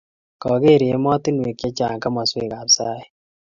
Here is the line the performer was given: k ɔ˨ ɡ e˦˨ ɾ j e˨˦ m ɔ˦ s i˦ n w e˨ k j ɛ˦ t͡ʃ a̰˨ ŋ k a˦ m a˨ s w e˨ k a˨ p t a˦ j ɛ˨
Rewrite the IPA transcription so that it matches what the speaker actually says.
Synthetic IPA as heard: k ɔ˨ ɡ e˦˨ ɾ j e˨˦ m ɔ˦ t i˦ n w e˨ k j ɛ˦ t͡ʃ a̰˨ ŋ k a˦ m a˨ s w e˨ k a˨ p s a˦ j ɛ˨